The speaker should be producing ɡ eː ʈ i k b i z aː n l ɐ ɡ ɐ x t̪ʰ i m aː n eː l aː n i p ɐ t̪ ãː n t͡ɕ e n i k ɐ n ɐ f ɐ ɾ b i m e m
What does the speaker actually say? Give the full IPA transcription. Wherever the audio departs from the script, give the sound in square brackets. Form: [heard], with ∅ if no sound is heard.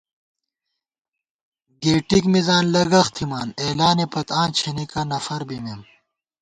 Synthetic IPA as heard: ɡ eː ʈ i k [m] i z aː n l ɐ ɡ ɐ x t̪ʰ i m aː n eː l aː n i p ɐ t̪ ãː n [t͡ɕʰ] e n i k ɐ n ɐ f ɐ ɾ b i m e m